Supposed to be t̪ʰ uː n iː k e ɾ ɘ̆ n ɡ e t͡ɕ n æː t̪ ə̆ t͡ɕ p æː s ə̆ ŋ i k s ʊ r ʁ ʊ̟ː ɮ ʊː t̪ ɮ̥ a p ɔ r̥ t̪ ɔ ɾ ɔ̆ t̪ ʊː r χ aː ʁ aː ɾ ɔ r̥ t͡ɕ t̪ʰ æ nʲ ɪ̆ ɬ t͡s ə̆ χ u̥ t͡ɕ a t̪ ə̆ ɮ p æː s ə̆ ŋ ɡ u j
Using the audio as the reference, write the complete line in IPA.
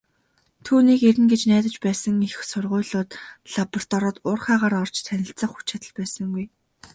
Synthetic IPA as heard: t̪ʰ uː n iː k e ɾ ɘ̆ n ɡ e t͡ɕ n æː t̪ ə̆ t͡ɕ p æː s ə̆ ŋ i x s ʊ r ʁ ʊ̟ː ɮ ʊː t̪ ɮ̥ a p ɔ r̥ t̪ ɔ ɾ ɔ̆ t̪ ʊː r χ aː ʁ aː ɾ ɔ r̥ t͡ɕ t̪ʰ æ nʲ ɪ̆ ɬ t͡s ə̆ χ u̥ t͡ɕ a t̪ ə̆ ɮ p æː s ə̆ ŋ ɡ u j